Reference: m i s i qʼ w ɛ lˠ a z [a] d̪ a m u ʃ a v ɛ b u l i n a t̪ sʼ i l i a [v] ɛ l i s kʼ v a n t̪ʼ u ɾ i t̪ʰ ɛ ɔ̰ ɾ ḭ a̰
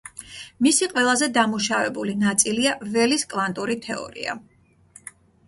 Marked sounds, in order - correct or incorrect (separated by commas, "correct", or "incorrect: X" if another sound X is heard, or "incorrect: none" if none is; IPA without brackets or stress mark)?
incorrect: ɛ, correct